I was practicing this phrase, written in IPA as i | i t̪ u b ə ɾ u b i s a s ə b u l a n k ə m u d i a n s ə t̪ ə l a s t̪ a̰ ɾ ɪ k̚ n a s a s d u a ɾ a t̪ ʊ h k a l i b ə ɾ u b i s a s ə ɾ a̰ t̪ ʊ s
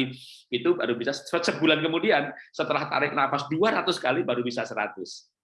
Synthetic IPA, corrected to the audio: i | i t̪ u b a ɾ u b i s a s ə b u l a n k ə m u d i a n s ə t̪ ə l a h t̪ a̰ ɾ ɪ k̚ n a f a s d u a ɾ a t̪ ʊ s k a l i b a ɾ u b i s a s ə ɾ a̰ t̪ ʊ s